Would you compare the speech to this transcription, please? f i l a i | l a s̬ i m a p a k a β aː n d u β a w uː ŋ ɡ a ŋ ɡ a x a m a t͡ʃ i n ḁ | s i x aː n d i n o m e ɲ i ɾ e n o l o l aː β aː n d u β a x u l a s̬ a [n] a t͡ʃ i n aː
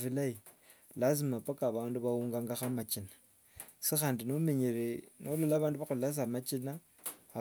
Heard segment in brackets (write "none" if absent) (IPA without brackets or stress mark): m